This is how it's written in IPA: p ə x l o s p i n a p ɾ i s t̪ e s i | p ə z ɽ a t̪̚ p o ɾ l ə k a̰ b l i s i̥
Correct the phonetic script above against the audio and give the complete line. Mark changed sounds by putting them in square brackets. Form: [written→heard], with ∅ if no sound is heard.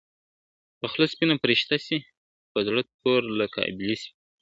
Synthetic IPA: p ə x l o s p i n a p ɾ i [s→ʃ] t̪ [e→a] s i | p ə z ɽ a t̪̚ p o ɾ l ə k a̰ b l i s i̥